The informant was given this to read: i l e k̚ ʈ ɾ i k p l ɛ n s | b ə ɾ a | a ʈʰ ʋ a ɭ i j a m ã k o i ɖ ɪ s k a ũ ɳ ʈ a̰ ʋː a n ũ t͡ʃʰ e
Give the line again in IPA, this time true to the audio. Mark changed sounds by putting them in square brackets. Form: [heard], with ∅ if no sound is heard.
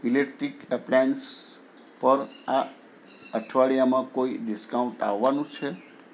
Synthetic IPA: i l e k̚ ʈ ɾ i k p l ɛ n s | [p] ə ɾ a | [ə] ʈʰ ʋ a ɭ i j a m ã k o i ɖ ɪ s k a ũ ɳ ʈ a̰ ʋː a n ũ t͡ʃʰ e